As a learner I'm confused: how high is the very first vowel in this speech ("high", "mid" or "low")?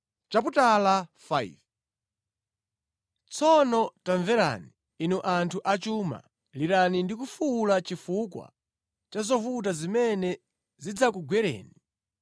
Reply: low